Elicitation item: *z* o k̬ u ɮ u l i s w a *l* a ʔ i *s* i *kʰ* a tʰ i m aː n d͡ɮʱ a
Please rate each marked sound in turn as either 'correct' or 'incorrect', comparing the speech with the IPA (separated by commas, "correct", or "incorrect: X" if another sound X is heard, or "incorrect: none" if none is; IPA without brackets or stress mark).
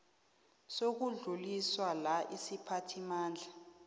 incorrect: s, correct, correct, incorrect: pʰ